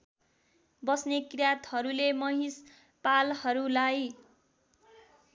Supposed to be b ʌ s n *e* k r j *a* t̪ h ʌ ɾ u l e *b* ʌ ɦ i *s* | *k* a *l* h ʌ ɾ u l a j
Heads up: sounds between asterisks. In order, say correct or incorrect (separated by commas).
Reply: correct, correct, incorrect, correct, incorrect, correct